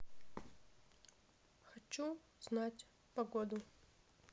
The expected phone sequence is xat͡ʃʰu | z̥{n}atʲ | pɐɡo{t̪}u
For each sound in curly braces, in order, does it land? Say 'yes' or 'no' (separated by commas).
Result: yes, no